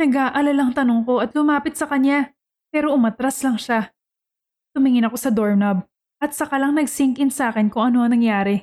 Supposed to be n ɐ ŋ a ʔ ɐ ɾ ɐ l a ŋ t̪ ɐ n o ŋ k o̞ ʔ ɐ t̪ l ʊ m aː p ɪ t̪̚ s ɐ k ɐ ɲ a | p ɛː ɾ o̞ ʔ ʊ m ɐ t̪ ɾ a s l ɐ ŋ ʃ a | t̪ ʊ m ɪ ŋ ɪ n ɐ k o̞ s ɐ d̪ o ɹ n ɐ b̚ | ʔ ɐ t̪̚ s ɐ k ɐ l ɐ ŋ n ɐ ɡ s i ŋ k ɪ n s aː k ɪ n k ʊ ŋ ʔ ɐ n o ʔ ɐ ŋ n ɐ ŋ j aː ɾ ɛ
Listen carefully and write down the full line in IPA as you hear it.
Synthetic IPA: n ɐ ɡ a ʔ ɐ l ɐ l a ŋ t̪ ɐ n o ŋ k o̞ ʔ ɐ t̪ l ʊ m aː p ɪ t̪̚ s ɐ k ɐ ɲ a | p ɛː ɾ o̞ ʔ ʊ m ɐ t̪ ɾ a s l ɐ ŋ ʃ a | t̪ ʊ m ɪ ŋ ɪ n ɐ k o̞ s ɐ d̪ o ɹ n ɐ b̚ | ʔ ɐ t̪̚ s ɐ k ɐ l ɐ ŋ n ɐ ɡ s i ŋ k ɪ n s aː k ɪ n k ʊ ŋ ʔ ɐ n o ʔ ɐ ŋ n ɐ ŋ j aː ɾ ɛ